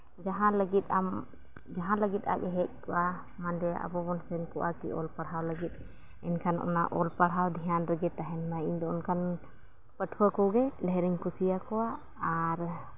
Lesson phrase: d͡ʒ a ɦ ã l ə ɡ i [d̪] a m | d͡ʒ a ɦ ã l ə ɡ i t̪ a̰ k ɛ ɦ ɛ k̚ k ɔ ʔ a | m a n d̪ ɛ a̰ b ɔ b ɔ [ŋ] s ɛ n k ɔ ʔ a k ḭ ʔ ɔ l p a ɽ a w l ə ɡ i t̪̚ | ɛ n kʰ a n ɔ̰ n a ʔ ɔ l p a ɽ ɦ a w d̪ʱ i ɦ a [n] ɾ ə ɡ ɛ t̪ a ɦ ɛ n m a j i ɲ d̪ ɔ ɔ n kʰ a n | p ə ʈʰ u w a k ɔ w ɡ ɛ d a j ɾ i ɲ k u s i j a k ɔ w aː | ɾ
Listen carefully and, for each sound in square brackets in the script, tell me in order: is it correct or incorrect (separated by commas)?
incorrect, incorrect, correct